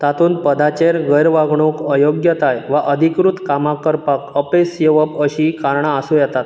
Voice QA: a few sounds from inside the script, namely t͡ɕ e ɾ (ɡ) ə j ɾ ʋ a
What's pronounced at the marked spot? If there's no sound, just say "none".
ɡ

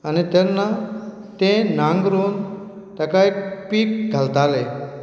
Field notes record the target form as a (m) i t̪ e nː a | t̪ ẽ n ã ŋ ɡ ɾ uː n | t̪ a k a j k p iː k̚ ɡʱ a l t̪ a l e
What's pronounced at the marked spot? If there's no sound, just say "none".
n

